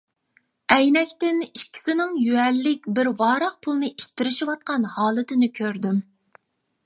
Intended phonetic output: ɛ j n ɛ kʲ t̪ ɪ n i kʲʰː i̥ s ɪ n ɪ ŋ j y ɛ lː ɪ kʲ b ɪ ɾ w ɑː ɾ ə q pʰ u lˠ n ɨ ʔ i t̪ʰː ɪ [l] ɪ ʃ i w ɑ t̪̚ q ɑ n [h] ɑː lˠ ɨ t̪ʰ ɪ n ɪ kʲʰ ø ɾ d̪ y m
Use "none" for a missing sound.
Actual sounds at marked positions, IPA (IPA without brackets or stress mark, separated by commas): ɾ, h